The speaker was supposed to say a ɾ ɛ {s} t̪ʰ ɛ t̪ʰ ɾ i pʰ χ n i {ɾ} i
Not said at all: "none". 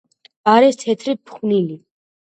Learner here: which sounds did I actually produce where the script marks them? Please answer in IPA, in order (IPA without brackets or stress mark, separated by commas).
s, l